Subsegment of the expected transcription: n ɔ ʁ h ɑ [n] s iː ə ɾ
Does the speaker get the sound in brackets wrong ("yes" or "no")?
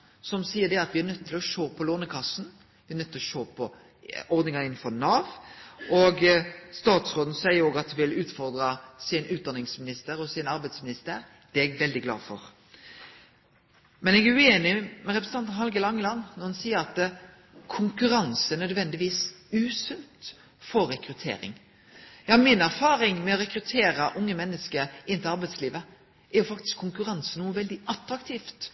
no